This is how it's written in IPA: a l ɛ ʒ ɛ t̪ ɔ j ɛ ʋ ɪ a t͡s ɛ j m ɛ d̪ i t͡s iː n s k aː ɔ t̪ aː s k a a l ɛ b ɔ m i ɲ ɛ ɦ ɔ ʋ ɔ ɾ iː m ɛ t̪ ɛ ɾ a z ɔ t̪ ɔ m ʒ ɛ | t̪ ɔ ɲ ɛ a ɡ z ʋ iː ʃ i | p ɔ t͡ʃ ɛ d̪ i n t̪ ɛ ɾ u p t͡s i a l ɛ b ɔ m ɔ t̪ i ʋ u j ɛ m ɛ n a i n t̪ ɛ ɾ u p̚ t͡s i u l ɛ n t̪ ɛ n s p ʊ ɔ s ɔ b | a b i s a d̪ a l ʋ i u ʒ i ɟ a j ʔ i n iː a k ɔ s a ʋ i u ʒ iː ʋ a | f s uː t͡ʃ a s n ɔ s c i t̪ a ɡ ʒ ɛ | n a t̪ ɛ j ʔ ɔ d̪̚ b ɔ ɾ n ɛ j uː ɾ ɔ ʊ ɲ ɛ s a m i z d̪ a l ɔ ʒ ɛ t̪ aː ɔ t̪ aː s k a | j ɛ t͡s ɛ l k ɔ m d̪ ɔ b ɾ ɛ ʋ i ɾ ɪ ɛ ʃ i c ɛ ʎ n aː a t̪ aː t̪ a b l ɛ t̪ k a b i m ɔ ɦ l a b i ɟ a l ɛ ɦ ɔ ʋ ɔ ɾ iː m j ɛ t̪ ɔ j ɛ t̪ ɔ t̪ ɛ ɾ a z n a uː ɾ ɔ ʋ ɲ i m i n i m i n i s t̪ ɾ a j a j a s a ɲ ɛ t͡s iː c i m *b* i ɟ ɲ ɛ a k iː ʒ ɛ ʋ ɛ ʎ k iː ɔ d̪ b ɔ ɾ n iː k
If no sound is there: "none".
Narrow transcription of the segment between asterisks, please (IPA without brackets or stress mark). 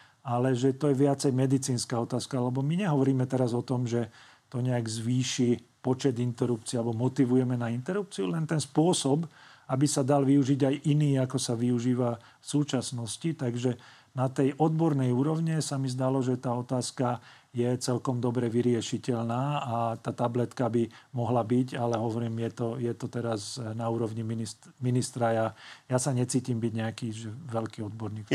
b